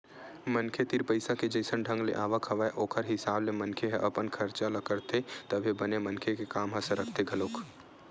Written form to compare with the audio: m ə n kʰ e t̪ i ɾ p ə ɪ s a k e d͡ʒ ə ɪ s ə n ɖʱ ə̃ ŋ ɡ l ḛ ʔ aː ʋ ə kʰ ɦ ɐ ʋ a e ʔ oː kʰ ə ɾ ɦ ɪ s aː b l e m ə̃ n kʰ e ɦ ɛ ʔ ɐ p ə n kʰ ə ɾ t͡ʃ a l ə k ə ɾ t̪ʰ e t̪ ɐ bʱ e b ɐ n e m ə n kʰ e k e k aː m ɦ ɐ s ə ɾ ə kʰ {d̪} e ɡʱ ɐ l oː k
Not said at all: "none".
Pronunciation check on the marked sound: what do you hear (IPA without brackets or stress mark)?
t̪